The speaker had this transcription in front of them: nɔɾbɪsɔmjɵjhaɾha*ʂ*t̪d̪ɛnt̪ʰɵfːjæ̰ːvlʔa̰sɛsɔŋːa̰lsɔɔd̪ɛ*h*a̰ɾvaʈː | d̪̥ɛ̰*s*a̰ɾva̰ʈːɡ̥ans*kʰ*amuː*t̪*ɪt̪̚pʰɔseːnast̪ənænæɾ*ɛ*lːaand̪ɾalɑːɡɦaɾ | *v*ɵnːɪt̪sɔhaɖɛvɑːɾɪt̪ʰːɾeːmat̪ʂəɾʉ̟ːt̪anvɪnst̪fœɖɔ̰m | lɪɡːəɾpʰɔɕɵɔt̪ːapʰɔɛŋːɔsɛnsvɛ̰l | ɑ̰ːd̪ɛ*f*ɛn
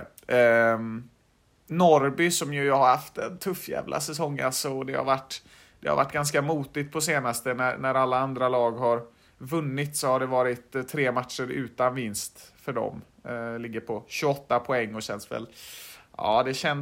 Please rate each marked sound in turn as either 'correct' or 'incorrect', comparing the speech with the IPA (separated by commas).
incorrect, correct, incorrect, incorrect, correct, incorrect, correct, incorrect